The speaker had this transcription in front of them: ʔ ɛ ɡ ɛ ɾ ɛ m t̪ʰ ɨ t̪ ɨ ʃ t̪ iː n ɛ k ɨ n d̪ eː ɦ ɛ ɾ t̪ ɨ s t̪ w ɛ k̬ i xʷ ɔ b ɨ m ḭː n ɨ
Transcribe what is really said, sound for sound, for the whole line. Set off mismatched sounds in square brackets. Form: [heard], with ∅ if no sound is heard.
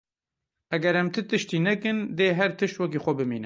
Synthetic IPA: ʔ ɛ ɡ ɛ ɾ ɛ m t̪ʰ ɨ t̪ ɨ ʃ t̪ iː n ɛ k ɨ n d̪ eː ɦ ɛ ɾ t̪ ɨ [ʃ] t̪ w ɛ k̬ i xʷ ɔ b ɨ m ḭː n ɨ